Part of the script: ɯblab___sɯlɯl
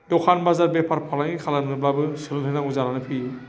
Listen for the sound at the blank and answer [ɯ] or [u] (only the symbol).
ɯ